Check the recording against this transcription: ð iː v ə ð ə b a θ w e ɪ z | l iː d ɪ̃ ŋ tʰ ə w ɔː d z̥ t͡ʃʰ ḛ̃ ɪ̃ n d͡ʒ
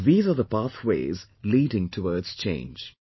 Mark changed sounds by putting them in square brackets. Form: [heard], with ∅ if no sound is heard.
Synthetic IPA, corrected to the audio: ð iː [z] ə ð ə [p] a θ w e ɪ z | l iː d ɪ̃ ŋ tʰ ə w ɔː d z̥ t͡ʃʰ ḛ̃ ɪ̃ n d͡ʒ